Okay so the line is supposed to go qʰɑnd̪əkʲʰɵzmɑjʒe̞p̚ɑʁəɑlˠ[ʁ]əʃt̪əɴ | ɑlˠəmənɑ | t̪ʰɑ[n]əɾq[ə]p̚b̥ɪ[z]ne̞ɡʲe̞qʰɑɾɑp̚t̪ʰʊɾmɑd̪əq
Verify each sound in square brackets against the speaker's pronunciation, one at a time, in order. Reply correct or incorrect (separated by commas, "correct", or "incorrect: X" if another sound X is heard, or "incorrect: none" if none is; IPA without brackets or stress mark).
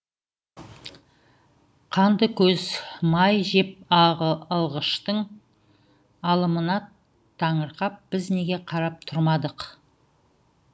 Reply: correct, incorrect: ɴ, incorrect: ɑ, correct